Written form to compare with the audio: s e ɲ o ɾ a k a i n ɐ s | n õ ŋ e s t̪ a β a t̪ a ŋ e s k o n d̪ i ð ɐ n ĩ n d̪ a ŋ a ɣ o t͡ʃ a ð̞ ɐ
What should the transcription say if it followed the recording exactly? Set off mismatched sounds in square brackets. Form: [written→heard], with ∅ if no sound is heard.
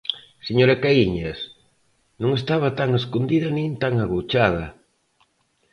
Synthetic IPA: s e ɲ o ɾ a k a i [n→ɲ] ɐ s | n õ ŋ e s t̪ a β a t̪ a ŋ e s k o n d̪ i ð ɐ n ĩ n [d̪→t̪] a ŋ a ɣ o t͡ʃ a ð̞ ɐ